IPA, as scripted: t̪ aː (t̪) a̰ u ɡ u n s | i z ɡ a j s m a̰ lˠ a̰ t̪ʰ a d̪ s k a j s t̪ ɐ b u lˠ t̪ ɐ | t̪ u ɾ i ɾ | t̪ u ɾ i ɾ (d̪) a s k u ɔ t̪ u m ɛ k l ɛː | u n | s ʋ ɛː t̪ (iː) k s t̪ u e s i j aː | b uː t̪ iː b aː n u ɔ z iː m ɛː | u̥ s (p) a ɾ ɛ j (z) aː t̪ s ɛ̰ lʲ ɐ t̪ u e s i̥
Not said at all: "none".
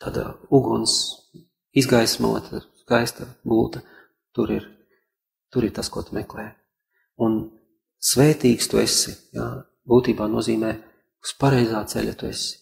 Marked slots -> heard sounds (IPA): d̪, t̪, iː, p, z

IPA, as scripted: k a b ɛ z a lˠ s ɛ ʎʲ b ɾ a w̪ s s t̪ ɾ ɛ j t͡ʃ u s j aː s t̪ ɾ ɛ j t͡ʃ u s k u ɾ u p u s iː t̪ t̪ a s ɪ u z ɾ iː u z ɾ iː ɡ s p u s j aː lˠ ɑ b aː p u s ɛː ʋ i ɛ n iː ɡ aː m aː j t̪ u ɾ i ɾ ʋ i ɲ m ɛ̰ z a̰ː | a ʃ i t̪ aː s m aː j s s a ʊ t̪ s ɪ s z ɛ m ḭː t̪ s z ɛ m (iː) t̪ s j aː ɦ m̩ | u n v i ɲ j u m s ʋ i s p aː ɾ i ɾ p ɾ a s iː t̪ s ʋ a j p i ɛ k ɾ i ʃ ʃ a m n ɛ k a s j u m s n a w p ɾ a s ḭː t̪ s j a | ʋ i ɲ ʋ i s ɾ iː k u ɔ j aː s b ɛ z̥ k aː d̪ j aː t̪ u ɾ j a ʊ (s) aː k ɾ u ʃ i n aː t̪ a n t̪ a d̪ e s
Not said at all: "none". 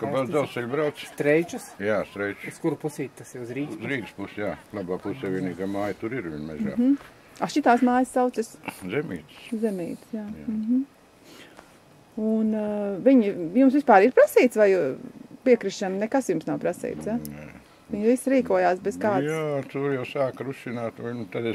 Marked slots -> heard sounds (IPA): iː, s

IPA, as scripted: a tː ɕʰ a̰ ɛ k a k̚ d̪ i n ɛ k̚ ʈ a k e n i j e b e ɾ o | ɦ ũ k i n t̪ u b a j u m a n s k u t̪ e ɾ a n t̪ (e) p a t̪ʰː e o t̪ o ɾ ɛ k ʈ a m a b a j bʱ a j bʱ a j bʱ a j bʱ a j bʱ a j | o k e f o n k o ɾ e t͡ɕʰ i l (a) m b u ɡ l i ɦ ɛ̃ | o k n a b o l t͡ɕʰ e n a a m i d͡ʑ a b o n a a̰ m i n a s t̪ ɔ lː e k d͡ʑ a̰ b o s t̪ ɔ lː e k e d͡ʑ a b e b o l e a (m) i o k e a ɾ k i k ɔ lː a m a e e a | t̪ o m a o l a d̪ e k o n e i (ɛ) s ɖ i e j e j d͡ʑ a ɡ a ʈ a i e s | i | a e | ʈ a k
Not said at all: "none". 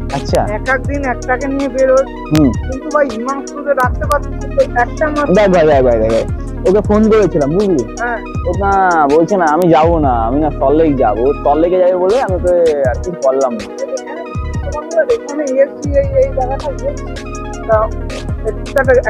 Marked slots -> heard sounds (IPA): e, a, m, e

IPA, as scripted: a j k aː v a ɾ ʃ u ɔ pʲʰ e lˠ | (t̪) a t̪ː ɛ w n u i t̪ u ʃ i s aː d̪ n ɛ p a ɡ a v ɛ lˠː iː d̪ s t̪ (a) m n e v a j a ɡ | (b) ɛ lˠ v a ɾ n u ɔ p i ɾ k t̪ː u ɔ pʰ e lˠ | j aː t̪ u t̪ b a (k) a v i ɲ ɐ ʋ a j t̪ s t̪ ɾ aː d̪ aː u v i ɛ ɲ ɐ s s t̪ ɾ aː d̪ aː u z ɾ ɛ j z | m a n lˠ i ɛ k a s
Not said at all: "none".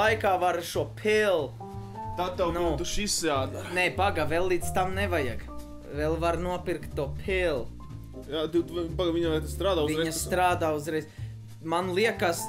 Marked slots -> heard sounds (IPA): t̪, a, v, ɡ

